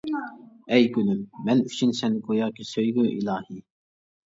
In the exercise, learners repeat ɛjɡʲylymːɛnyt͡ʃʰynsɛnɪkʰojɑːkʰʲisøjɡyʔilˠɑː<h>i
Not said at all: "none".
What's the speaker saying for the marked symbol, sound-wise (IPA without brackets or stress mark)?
h